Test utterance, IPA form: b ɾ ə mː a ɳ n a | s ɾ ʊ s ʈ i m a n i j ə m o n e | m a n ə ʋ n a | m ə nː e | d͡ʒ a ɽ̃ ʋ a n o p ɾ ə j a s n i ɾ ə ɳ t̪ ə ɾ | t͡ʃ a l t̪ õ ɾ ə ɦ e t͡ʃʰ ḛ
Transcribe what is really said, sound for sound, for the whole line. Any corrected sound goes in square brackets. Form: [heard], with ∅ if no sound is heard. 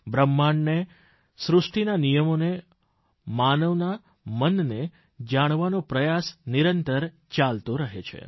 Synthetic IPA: b ɾ ə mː a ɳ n [e] | s ɾ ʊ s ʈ i [n] a n i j ə m o n e | m a n ə ʋ n a | m ə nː e | d͡ʒ a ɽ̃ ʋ a n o p ɾ ə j a s n i ɾ ə [n] t̪ ə ɾ | t͡ʃ a l t̪ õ ɾ ə ɦ e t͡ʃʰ ḛ